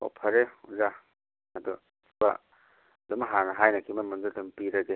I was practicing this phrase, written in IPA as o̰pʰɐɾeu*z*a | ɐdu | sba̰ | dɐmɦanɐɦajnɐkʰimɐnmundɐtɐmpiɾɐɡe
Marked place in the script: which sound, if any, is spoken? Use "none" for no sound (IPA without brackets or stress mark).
z